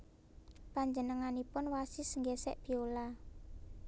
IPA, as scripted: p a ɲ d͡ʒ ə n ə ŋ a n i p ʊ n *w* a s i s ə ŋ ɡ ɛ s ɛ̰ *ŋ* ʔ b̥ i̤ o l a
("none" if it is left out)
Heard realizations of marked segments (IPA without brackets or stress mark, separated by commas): w, none